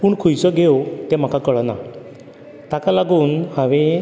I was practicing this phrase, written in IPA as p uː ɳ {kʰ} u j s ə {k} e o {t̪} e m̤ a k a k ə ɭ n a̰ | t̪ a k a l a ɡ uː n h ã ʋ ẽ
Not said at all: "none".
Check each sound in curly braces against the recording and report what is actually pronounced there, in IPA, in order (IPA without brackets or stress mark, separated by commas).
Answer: kʰ, ɡ, t̪